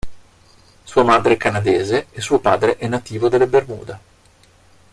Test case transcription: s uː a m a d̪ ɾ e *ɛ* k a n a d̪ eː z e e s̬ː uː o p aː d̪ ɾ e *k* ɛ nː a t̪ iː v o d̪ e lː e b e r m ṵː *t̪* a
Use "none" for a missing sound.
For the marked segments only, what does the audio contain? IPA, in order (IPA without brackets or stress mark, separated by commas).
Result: ɛ, ʔ, d̪